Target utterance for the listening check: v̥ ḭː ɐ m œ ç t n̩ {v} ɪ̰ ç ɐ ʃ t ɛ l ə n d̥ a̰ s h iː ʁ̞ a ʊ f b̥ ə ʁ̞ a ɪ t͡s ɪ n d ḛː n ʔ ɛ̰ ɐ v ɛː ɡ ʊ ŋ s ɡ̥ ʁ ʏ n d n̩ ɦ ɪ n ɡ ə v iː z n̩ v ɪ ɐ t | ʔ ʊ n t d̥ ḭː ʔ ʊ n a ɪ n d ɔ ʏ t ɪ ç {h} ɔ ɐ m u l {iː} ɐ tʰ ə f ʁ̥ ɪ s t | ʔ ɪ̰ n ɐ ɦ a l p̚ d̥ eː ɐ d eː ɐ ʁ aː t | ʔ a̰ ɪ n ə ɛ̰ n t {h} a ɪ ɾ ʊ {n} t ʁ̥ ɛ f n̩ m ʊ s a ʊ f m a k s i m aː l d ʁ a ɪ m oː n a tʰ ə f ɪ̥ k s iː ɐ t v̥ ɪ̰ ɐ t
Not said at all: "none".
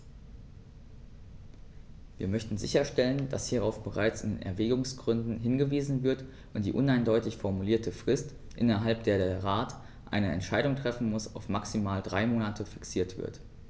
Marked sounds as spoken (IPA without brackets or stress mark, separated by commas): z, f, iː, ʃ, ŋ